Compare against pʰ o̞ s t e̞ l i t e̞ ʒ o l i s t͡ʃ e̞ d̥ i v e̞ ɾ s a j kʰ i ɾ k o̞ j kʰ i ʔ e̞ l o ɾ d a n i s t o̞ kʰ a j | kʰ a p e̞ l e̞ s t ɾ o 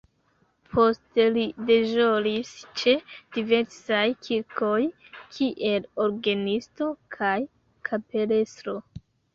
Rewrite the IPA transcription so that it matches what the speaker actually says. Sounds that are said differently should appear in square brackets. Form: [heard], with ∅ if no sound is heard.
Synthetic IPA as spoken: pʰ o̞ s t e̞ l i [d] e̞ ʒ o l i s t͡ʃ e̞ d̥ i v e̞ ɾ s a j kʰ i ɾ k o̞ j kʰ i ʔ e̞ l o ɾ [ɡ] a n i s t o̞ kʰ a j | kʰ a p e̞ l e̞ s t ɾ o